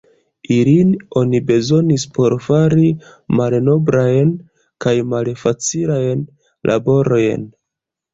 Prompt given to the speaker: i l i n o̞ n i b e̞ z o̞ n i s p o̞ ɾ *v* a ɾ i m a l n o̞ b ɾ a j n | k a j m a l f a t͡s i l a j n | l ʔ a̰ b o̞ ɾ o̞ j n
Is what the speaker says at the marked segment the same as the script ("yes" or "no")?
no